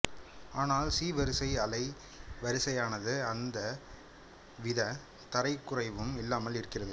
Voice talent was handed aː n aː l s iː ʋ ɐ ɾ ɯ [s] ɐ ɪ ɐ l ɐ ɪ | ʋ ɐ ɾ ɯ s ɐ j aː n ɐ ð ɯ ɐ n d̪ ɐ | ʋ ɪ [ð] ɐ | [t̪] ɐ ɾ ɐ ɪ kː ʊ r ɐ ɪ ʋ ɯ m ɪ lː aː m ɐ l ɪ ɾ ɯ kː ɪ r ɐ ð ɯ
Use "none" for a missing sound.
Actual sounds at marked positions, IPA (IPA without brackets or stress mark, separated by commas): s, ð, t̪